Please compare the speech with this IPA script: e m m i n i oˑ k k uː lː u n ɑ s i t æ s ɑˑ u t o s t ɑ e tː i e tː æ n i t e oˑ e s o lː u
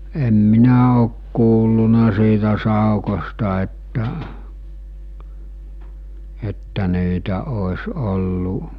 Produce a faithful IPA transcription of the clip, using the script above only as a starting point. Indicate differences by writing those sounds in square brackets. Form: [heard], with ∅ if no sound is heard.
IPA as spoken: e m m i n [æ] oˑ k k uː lː u n ɑ s [iː] t æ s ɑˑ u [k] o s t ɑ e tː [æ] e tː æ n [iː] t [æ] oˑ e s o lː u